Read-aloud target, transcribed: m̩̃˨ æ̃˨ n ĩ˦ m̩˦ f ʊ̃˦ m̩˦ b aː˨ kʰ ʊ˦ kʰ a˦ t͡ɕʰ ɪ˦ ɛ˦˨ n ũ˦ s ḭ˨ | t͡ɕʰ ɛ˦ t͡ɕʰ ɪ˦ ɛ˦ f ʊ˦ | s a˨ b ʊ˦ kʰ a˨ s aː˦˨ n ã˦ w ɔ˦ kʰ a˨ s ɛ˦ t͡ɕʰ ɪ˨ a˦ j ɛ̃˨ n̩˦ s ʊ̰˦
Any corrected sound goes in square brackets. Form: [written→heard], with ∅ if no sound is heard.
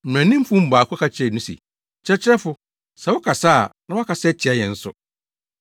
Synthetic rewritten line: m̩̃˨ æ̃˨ n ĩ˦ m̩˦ f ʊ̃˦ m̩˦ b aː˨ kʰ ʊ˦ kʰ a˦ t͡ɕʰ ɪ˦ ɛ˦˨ n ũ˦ s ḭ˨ | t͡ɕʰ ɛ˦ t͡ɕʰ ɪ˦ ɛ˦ f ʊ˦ | s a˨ [b→w] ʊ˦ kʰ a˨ s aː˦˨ n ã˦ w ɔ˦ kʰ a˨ s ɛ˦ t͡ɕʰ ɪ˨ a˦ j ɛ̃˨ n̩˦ s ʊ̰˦